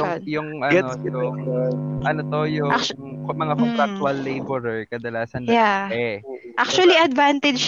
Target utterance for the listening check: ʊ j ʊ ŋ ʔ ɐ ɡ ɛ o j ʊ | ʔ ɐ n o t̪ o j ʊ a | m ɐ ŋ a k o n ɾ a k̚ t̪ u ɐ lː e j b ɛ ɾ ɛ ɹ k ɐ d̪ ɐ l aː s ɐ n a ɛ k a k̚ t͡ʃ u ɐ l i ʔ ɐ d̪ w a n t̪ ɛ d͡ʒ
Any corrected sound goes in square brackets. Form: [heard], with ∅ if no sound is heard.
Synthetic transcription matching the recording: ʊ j ʊ ŋ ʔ ɐ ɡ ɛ o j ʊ | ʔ ɐ n o t̪ o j ʊ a | m ɐ ŋ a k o n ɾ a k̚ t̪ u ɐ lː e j b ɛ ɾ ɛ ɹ k ɐ d̪ ɐ l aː s ɐ n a ɛ [ʔ] a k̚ t͡ʃ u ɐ l i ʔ ɐ d̪ [v] a n t̪ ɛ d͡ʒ